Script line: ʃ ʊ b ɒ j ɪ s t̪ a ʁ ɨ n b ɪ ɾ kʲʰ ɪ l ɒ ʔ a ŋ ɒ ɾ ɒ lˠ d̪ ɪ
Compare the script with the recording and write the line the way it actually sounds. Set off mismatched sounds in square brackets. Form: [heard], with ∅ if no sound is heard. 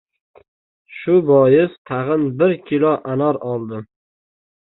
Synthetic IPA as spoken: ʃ ʊ b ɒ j ɪ s [t̪ʰ] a ʁ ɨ n b ɪ ɾ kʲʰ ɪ l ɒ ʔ a [n] ɒ ɾ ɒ lˠ d̪ ɪ